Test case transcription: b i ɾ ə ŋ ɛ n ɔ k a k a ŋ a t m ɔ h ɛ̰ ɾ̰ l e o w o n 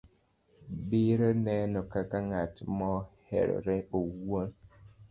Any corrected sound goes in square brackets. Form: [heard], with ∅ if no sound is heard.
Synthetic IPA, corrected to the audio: b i ɾ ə [n] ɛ n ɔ k a k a ŋ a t m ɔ h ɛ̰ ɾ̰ [ɾ] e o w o n